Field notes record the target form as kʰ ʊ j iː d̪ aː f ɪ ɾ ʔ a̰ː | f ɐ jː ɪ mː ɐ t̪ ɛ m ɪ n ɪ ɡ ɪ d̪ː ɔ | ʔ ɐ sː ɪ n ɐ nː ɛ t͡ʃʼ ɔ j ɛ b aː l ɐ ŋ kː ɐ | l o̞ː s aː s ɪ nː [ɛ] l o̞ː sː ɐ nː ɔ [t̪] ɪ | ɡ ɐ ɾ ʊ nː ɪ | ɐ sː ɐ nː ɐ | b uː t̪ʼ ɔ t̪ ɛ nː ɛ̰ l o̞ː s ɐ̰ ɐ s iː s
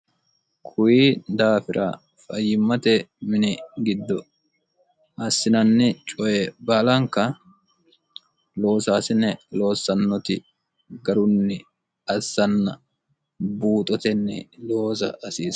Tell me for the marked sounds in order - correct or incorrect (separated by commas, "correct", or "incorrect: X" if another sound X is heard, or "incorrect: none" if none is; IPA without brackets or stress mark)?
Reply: correct, correct